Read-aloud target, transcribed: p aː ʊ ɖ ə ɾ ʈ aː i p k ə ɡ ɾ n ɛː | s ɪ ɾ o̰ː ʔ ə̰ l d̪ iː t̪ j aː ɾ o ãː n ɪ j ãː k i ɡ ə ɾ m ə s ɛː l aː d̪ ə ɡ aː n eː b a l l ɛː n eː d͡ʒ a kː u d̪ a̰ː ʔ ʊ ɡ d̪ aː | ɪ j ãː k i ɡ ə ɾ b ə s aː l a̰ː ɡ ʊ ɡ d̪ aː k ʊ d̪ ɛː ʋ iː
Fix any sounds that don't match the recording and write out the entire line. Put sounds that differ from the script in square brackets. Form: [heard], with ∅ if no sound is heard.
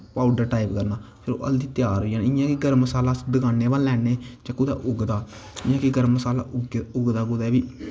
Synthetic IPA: p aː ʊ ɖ ə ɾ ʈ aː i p k ə [∅] ɾ n [aː] | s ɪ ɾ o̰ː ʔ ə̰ l d̪ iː t̪ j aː ɾ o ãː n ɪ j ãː k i ɡ ə ɾ m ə s [aː] l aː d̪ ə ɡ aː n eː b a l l ɛː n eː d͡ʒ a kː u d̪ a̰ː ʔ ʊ ɡ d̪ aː | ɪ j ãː k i ɡ ə ɾ [m] ə s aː l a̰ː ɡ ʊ ɡ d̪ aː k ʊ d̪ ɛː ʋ iː